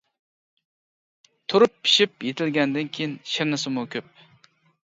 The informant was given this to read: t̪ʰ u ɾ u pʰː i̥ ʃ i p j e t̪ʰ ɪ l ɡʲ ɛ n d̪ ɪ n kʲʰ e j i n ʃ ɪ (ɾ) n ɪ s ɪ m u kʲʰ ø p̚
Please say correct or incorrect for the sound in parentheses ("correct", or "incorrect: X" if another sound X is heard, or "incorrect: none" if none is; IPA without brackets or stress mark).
correct